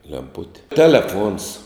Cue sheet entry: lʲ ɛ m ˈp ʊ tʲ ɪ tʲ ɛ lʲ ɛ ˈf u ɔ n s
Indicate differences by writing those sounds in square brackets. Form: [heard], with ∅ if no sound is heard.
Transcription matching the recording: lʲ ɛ m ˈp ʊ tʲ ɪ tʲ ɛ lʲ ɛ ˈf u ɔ n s